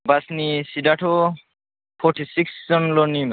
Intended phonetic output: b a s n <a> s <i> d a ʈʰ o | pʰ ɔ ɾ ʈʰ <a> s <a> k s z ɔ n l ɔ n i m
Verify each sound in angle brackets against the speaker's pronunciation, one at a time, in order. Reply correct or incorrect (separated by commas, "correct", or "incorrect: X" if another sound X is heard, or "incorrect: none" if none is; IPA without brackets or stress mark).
incorrect: i, correct, incorrect: i, incorrect: i